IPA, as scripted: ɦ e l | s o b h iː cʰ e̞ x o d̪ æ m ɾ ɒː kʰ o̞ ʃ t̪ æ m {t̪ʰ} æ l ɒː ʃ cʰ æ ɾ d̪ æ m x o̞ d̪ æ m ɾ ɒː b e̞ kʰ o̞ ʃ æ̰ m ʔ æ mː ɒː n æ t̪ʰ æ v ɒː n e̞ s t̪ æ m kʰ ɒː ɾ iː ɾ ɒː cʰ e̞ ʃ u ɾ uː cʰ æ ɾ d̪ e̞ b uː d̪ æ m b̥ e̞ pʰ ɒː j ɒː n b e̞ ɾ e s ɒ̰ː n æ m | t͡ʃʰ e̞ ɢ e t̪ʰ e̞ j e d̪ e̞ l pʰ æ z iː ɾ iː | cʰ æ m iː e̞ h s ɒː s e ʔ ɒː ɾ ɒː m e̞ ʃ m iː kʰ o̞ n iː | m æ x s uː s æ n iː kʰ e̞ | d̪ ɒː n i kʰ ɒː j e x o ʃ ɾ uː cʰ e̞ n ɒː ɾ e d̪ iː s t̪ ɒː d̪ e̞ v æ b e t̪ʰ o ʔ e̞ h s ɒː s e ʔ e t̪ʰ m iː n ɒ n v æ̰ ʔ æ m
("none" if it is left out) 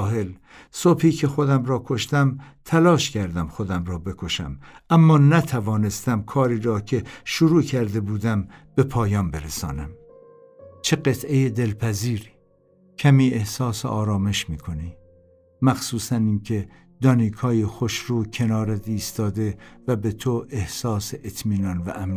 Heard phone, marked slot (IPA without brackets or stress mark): t̪ʰ